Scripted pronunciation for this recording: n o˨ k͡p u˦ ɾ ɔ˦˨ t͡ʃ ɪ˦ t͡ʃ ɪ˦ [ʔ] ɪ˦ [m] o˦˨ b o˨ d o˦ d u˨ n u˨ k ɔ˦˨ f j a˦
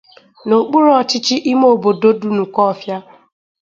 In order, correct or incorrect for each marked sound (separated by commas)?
correct, correct